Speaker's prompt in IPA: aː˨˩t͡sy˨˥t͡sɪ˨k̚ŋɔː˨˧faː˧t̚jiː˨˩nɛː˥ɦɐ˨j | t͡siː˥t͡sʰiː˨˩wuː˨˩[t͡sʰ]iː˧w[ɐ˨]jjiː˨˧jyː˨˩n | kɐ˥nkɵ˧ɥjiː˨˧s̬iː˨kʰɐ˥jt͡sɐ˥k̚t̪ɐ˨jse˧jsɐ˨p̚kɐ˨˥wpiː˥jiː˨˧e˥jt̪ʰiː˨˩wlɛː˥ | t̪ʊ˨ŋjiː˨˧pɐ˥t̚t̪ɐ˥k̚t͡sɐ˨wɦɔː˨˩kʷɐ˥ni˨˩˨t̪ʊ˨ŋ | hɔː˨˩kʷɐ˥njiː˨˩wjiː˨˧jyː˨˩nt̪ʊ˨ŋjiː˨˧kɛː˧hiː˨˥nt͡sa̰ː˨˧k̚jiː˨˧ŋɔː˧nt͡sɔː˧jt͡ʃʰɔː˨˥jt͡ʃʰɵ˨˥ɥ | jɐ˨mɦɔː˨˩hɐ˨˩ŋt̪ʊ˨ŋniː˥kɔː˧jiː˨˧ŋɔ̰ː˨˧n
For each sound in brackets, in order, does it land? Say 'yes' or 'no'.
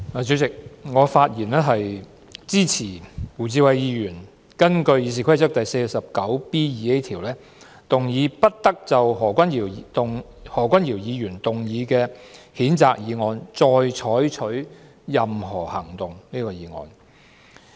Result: no, yes

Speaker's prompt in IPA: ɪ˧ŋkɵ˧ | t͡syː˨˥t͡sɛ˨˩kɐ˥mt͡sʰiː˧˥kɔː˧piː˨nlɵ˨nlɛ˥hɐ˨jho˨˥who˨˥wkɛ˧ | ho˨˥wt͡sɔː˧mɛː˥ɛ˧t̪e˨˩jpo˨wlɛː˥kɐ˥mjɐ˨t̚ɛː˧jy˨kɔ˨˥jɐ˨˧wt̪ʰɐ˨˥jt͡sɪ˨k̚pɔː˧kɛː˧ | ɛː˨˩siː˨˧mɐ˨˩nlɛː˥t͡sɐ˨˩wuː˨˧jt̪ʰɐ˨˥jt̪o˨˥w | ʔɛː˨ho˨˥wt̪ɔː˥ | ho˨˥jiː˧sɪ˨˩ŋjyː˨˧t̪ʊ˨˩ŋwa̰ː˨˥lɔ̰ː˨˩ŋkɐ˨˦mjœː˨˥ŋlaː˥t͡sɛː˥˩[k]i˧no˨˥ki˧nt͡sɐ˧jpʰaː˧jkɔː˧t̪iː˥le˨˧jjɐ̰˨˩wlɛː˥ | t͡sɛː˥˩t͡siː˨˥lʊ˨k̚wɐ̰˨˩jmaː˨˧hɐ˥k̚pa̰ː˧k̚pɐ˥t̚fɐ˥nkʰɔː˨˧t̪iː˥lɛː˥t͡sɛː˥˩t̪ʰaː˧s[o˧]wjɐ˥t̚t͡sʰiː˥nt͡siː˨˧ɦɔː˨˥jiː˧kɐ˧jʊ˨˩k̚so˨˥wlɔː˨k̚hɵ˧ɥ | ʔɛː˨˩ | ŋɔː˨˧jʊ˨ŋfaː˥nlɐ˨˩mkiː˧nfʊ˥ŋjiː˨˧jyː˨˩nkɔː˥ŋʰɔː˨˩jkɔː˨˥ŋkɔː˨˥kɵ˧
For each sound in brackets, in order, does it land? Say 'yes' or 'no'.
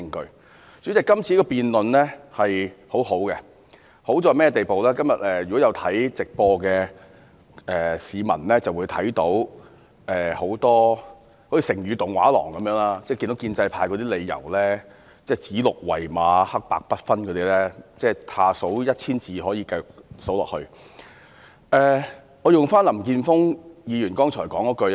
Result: yes, no

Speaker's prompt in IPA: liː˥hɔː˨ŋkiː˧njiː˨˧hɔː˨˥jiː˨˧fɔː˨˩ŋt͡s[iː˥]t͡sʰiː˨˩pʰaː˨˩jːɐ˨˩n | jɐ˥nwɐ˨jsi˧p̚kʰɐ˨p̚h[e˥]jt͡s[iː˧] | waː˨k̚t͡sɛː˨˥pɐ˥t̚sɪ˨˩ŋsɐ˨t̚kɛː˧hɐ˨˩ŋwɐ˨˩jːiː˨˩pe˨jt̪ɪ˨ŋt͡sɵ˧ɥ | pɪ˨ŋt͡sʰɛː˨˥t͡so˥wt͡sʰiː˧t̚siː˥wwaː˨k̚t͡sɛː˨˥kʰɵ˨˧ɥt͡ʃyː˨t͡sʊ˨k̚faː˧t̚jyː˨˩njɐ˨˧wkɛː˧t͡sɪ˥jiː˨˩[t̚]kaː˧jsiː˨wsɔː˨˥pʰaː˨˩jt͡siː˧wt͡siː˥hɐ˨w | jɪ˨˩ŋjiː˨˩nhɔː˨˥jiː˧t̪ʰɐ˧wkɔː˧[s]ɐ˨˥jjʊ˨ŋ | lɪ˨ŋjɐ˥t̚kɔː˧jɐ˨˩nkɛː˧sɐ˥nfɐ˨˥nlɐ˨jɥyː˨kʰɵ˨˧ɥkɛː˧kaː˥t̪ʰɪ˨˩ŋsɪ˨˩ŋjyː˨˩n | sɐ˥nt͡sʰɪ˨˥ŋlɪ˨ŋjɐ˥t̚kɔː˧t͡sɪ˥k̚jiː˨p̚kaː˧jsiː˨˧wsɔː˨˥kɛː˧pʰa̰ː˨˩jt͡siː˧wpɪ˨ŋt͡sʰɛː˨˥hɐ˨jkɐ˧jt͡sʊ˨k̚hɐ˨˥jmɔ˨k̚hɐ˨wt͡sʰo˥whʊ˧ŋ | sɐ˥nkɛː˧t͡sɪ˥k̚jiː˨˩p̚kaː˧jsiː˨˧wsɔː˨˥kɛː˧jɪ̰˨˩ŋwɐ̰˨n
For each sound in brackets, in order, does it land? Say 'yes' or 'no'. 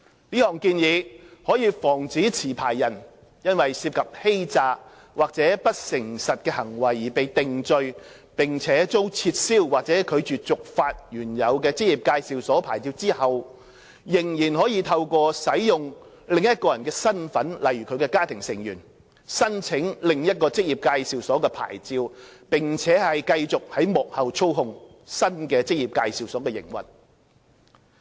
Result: no, yes, no, no, yes

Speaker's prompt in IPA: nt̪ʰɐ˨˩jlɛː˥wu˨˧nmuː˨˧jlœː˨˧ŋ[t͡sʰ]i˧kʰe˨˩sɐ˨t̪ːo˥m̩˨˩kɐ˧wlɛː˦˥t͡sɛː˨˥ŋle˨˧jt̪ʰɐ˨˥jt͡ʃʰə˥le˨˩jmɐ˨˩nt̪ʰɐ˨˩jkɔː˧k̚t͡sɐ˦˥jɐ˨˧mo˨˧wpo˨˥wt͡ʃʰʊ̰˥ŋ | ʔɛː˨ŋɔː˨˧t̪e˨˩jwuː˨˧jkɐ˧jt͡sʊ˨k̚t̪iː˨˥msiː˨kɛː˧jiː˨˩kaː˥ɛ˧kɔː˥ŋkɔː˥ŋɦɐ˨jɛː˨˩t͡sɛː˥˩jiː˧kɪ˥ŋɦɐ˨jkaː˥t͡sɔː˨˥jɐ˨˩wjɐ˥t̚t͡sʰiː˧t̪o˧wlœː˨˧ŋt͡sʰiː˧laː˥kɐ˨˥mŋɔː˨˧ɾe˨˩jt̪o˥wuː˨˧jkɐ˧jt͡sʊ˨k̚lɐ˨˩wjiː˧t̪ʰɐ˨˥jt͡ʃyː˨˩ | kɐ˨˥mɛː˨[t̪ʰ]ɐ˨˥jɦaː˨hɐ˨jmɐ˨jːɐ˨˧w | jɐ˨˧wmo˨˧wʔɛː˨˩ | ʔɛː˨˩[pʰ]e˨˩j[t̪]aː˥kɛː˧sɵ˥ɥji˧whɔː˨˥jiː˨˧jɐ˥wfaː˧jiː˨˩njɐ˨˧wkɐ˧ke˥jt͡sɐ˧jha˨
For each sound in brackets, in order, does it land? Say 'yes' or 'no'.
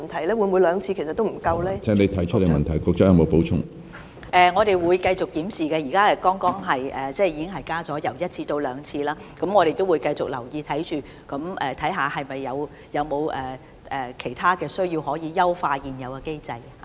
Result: yes, yes, no, no

